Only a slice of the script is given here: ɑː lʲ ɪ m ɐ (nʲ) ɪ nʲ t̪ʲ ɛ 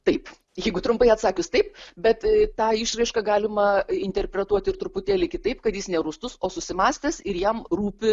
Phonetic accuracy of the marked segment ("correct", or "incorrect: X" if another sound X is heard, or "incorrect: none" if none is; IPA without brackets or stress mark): incorrect: none